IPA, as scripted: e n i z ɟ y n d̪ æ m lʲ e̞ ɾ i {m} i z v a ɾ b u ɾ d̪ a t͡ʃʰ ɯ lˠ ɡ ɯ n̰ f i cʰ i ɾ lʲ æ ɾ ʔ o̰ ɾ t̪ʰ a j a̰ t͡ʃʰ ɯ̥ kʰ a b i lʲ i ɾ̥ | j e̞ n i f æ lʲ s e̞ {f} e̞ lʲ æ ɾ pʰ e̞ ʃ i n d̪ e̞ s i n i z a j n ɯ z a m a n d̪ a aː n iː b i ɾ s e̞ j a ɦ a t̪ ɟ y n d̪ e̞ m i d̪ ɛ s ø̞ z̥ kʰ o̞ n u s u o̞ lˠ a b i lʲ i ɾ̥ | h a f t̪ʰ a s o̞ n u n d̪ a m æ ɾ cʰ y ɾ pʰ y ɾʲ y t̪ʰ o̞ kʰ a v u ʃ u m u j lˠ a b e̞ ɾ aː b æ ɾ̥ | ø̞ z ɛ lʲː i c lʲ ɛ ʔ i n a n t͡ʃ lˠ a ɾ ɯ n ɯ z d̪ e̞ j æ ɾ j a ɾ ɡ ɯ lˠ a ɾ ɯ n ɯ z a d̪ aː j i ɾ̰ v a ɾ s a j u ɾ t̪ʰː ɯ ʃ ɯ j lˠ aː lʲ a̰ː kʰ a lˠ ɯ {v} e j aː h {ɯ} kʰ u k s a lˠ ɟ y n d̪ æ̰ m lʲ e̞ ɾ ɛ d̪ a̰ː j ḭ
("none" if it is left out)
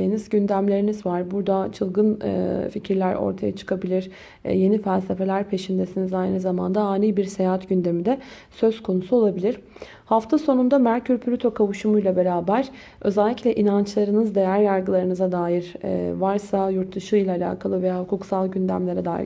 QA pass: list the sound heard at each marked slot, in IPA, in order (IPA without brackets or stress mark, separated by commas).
n, f, v, u